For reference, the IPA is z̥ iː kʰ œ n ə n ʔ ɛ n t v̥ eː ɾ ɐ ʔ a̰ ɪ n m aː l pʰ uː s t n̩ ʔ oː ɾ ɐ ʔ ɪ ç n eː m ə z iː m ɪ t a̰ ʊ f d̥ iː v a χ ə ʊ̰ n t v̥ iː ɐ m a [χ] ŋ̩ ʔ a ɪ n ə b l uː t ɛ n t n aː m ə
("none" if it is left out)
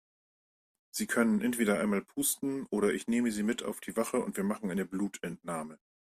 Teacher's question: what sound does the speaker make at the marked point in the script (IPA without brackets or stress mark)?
χ